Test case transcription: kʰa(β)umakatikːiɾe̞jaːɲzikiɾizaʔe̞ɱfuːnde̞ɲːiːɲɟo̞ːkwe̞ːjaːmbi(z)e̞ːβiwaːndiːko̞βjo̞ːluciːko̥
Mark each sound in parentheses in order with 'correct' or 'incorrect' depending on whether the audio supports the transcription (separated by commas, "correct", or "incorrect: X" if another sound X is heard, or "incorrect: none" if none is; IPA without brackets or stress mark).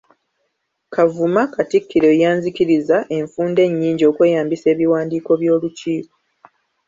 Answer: incorrect: v, incorrect: s